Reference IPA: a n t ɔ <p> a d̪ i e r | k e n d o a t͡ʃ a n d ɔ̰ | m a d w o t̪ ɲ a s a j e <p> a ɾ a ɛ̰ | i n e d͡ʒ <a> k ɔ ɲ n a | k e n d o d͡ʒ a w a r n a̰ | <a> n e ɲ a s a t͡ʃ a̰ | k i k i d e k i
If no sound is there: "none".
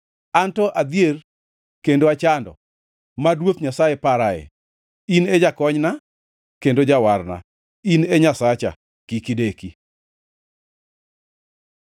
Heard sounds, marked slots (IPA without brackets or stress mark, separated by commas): ʔ, p, a, i